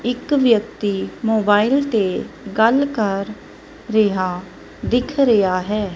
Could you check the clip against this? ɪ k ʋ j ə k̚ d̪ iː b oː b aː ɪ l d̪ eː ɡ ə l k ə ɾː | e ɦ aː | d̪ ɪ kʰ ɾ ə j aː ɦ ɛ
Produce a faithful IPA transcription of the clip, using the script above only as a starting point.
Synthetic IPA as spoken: ɪ k ʋ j ə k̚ t̪ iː m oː b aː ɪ l t̪ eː ɡ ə l k ə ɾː | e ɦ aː | d̪ ɪ kʰ ɾ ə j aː ɦ ɛː

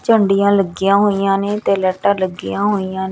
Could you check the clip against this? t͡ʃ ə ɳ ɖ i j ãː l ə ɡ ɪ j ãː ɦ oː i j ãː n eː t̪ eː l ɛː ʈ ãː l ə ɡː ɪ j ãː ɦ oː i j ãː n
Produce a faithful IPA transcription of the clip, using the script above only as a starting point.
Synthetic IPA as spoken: t͡ʃ ə ɳ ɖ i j ãː l ə ɡ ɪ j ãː ɦ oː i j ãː n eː t̪ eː l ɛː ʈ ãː l ə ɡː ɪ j ãː ɦ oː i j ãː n

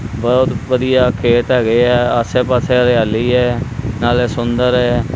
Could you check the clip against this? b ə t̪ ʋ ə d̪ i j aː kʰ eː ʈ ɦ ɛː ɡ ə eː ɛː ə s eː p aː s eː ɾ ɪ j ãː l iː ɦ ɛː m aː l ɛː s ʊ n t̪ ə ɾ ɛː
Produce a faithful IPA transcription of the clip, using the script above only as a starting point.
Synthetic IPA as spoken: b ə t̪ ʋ ə d̪ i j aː kʰ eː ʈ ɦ ɛː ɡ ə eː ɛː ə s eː p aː s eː ɾ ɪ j aː l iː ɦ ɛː n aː l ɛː s ʊ n d̪ ə ɾ ɛː

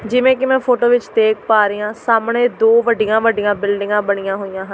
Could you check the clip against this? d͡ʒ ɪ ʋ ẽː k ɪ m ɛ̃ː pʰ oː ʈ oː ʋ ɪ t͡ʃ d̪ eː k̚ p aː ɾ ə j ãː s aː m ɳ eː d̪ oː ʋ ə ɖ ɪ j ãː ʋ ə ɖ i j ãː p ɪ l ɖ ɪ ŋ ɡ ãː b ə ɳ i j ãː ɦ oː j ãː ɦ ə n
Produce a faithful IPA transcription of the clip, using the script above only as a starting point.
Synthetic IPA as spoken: d͡ʒ ɪ ʋ ẽː k ɪ m ɛ̃ː pʰ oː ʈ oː ʋ ɪ t͡ʃ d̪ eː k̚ p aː ɾ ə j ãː s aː m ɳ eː d̪ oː ʋ ə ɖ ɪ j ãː ʋ ə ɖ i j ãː b ɪ l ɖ ɪ ŋ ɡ ãː b ə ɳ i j ãː ɦ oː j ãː ɦ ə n

